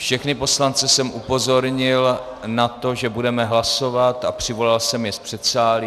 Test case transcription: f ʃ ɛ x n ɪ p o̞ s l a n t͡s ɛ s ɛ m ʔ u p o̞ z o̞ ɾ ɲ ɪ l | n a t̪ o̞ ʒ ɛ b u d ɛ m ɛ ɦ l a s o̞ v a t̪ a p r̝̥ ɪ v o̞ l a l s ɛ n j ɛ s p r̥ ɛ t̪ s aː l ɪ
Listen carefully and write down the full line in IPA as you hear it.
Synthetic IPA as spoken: f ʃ ɛ x n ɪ p o̞ s l a n t͡s ɛ s ɛ m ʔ u p o̞ z o̞ ɾ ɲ ɪ l | n a t̪ o̞ ʒ ɛ b u d ɛ m ɛ ɦ l a s o̞ v a t̪ a p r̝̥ ɪ v o̞ l a l s ɛ m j ɛ s p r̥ ɛ t̪ s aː l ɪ

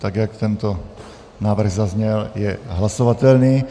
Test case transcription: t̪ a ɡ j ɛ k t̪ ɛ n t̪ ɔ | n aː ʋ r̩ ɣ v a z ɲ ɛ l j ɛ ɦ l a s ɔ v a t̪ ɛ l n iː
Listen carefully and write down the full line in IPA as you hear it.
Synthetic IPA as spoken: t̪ a ɡ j a k t̪ ɛ n t̪ ɔ | n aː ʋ r̩ ɣ z a z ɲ ɛ l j ɛ ɦ l a s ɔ ʋ a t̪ ɛ l n iː

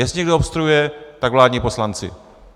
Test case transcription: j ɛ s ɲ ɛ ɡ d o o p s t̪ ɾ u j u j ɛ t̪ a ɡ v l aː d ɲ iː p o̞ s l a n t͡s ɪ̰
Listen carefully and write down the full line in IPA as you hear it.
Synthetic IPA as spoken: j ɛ s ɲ ɛ ɡ d o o p s t̪ ɾ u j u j ɛ t̪ a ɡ v l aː d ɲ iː p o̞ s l a n t͡s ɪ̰

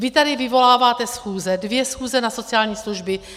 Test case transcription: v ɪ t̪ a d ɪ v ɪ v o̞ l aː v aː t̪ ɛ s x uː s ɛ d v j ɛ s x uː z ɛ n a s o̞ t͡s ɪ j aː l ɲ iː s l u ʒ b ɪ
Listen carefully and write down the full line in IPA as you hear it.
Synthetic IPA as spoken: v ɪ t̪ a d ɪ v ɪ v o̞ l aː v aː t̪ ɛ s x uː z ɛ d v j ɛ s x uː z ɛ n a s o̞ t͡s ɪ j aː l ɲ iː s l u ʒ b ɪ

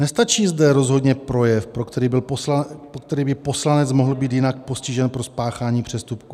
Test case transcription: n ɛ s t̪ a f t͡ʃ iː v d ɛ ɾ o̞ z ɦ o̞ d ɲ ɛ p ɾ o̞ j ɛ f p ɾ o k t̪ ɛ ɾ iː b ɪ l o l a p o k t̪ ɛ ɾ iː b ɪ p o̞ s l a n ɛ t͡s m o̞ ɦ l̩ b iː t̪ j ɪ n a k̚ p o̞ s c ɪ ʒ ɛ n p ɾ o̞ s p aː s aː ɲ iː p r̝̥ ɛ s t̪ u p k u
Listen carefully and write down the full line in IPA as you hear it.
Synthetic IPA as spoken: n ɛ s t̪ a t͡ʃ iː z d ɛ ɾ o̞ z ɦ o̞ d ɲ ɛ p ɾ o̞ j ɛ f p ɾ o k t̪ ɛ ɾ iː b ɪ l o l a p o k t̪ ɛ ɾ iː b ɪ p o̞ s l a n ɛ t͡s m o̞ ɦ l̩ b iː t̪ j ɪ n a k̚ p o̞ s c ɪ ʒ ɛ n p ɾ o̞ s p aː x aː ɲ iː p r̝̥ ɛ s t̪ u p k u

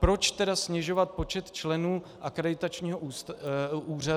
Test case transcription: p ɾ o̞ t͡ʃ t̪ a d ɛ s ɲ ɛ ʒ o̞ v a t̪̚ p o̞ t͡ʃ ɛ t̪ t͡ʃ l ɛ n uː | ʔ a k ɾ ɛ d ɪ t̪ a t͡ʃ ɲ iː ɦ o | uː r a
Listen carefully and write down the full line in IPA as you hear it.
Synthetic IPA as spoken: p ɾ o̞ t͡ʃ t̪ ɛ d a s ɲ ɛ ʒ o̞ v a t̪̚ p o̞ t͡ʃ ɛ t̪ t͡ʃ l ɛ n uː | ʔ a k ɾ ɛ d ɪ t̪ a t͡ʃ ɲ iː ɦ o | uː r a

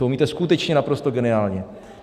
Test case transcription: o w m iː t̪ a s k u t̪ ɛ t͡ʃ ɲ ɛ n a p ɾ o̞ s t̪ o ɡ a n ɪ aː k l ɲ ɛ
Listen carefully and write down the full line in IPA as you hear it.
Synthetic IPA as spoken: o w m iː t̪ ɛ s k u t̪ ɛ t͡ʃ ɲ ɛ n a p ɾ o̞ s t̪ o ɡ ɛ n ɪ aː l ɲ ɛ

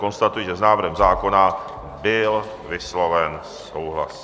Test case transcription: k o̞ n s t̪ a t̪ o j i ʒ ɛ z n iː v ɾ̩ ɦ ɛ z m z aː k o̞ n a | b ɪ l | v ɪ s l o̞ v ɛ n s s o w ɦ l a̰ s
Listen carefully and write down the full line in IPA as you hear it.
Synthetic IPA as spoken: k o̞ n s t̪ a t̪ u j i ʒ ɛ z n aː v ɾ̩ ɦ ɛ m z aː k o̞ n a | b ɪ l | v ɪ s l o̞ v ɛ n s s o w ɦ l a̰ s

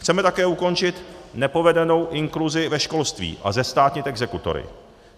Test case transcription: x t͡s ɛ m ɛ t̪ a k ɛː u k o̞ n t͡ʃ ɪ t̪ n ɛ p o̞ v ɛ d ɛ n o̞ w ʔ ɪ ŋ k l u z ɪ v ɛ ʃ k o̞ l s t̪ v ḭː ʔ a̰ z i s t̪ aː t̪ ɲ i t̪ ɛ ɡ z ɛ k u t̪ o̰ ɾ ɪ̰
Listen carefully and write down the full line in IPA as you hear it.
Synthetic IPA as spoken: x t͡s ɛ m ɛ t̪ a k ɛː u k o̞ n t͡ʃ ɪ t̪ n ɛ p o̞ v ɛ d ɛ n o̞ w ʔ ɪ ŋ k l u z ɪ v ɛ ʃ k o̞ l s t̪ v ḭː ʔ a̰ z ɛ s t̪ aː t̪ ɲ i t̪ ɛ ɡ z ɛ k u t̪ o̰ ɾ ɪ̰

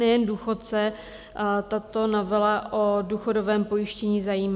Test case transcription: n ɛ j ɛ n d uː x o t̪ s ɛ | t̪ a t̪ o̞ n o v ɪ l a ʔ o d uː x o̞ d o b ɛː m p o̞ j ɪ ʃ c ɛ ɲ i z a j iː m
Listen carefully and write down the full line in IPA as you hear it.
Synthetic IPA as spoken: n ɛ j ɛ n d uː x o t̪ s ɛ | t̪ a t̪ o̞ n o v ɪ l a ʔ o d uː x o̞ d o v ɛː m p o̞ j ɪ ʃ c ɛ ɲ i z a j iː m

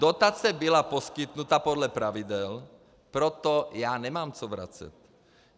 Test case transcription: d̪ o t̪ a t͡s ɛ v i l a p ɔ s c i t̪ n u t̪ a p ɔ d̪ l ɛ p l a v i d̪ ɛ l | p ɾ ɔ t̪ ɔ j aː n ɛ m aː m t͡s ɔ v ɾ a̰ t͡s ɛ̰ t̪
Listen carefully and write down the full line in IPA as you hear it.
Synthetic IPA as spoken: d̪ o t̪ a t͡s ɛ b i l a p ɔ s k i t̪ n u t̪ a p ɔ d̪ l ɛ p ɾ a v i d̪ ɛ l | p ɾ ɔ t̪ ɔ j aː n ɛ m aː m t͡s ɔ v ɾ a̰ t͡s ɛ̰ t̪

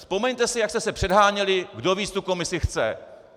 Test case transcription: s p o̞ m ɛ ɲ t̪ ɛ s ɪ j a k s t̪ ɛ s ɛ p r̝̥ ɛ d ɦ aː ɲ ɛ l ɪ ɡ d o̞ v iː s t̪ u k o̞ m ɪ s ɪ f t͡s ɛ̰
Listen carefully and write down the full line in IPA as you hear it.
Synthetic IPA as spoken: s p o̞ m ɛ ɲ t̪ ɛ s ɪ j a k s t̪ ɛ s ɛ p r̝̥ ɛ d ɦ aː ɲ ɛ l ɪ ɡ d o̞ v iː t͡s t̪ u k o̞ m ɪ s ɪ x t͡s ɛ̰

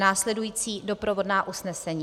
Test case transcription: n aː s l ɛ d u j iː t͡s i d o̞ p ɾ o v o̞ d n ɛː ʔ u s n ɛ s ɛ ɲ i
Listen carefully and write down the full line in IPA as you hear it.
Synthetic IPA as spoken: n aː s l ɛ d u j iː t͡s iː d o̞ p ɾ o v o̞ d n aː ʔ u s n ɛ s ɛ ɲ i

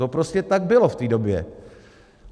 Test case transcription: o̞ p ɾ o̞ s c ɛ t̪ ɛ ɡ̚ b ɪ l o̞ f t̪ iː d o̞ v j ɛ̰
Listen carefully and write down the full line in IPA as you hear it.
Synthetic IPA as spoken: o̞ p ɾ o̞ s c ɛ t̪ a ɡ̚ b ɪ l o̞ f t̪ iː d o̞ b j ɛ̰

